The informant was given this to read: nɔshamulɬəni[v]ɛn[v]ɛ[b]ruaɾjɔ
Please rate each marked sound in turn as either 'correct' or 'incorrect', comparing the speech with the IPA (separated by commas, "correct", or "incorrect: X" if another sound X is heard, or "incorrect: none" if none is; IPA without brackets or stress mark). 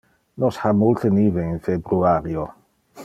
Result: correct, incorrect: f, correct